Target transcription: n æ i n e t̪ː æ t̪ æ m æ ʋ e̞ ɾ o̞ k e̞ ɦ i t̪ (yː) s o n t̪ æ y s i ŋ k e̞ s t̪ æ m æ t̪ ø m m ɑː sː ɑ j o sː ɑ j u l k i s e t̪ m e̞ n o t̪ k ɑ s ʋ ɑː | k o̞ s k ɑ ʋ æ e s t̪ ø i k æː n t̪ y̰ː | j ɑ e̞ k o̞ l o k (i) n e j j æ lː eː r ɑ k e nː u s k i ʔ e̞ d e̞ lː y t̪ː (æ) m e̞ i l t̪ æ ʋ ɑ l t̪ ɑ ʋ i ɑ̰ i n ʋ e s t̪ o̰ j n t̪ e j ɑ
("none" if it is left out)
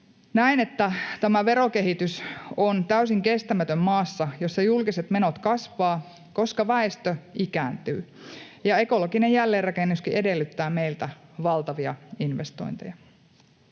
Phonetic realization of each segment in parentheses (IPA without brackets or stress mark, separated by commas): y, i, æː